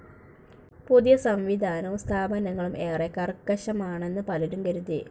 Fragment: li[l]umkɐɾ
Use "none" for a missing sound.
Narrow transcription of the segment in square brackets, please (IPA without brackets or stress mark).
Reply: ɾ